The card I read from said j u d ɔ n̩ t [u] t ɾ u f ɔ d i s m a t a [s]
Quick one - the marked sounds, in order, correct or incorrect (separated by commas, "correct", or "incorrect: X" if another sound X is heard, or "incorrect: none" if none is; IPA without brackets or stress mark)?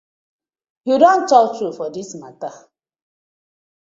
incorrect: ɔ, incorrect: none